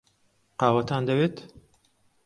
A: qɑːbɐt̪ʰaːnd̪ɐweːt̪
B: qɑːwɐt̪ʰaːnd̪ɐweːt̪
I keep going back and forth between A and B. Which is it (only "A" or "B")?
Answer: B